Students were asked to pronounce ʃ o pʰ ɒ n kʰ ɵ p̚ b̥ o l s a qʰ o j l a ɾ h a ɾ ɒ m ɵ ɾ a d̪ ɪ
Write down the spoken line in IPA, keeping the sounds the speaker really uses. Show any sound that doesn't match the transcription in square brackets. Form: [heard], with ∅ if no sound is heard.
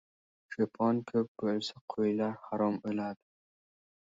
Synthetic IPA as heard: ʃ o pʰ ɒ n kʰ ɵ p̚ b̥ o l s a qʰ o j l a ɾ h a ɾ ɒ m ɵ [l] a d̪ ɪ

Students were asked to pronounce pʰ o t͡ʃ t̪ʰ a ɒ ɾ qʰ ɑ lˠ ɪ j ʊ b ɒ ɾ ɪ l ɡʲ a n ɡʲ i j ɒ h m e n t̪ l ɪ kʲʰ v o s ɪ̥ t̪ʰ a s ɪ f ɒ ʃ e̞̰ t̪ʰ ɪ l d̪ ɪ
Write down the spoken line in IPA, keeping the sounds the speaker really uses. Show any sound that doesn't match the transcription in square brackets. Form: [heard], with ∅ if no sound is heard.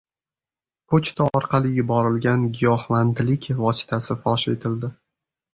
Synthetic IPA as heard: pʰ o t͡ʃ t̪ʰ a ɒ ɾ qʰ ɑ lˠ ɪ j ʊ b ɒ ɾ ɪ l ɡʲ a n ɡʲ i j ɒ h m [a] n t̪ l ɪ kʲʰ v [ɒ] s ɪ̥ t̪ʰ a s ɪ f ɒ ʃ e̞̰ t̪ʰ ɪ l d̪ ɪ

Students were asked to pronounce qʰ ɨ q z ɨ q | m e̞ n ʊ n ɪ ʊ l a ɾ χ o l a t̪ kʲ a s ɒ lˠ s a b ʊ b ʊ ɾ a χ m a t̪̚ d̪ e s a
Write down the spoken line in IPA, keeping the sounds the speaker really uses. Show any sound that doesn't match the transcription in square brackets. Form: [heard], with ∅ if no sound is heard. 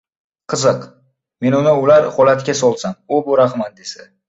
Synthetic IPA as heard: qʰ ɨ [∅] z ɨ q | m e̞ n ʊ n ɪ ʊ l a ɾ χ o l a t̪ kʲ a s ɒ lˠ s a [m] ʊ b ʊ ɾ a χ m a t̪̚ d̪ e s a

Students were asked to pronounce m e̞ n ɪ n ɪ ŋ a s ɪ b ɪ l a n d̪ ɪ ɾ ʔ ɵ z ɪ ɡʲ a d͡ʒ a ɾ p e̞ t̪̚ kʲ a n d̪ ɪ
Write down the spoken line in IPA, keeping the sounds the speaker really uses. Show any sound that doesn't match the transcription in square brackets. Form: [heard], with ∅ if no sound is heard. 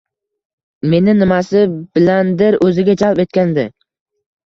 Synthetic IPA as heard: m e̞ n ɪ n ɪ [m] a s ɪ b ɪ l a n d̪ ɪ ɾ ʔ ɵ z ɪ ɡʲ a d͡ʒ a [l] p e̞ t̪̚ kʲ a n d̪ ɪ

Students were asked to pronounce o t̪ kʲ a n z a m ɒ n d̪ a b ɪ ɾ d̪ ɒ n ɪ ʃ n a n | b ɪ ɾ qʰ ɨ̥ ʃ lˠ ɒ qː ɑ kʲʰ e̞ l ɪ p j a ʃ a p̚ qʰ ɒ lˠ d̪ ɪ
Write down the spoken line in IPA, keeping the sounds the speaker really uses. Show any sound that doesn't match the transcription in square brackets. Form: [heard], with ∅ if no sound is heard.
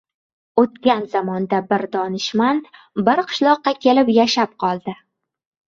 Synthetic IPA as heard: o t̪ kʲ a n z a m ɒ n d̪ a b ɪ ɾ d̪ ɒ n ɪ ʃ [m] a n | b ɪ ɾ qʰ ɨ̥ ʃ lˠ ɒ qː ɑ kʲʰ e̞ l ɪ p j a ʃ a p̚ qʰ ɒ lˠ d̪ ɪ

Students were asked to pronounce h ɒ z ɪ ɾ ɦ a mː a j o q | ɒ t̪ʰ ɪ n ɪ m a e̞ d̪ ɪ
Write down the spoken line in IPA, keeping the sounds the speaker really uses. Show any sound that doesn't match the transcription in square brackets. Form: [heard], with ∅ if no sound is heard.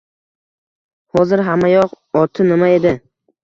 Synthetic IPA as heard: h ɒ z ɪ ɾ ɦ a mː a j [ɒ] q | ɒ t̪ʰ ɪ n ɪ m a e̞ d̪ ɪ

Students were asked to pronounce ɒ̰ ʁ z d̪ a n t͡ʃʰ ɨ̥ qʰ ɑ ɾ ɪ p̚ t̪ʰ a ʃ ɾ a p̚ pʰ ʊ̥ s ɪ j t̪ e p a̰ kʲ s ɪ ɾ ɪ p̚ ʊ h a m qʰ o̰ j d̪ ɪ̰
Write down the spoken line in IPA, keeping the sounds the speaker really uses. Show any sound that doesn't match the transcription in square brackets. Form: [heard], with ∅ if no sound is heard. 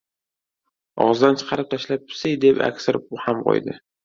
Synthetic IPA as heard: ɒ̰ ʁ z d̪ a n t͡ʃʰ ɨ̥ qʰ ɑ ɾ ɪ p̚ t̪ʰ a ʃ [l] a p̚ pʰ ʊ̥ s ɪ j [d̪] e p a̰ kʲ s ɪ ɾ ɪ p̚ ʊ h a m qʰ o̰ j d̪ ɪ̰

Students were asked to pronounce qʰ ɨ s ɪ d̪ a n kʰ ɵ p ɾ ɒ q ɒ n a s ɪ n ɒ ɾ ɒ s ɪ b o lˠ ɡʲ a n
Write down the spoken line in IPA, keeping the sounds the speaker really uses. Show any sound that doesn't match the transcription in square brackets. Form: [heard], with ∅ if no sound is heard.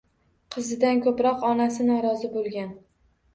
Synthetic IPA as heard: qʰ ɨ [z] ɪ d̪ a n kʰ ɵ p ɾ ɒ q ɒ n a s ɪ n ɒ ɾ ɒ [z] ɪ b o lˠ ɡʲ a n

